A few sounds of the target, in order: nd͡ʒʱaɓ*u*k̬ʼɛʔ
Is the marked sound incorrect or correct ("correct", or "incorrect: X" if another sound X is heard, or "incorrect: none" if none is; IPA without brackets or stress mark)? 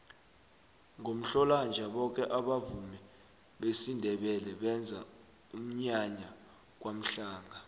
incorrect: ɔ